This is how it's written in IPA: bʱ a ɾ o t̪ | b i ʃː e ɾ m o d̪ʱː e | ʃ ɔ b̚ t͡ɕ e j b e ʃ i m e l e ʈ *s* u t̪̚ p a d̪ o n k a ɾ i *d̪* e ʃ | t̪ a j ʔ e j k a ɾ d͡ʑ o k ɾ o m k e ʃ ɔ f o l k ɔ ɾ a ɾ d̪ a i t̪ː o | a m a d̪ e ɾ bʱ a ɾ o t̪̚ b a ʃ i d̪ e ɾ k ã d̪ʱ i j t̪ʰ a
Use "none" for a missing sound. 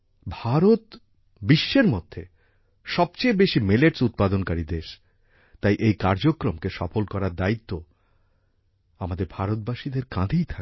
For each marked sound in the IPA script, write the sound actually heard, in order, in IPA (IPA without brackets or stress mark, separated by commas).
s, d̪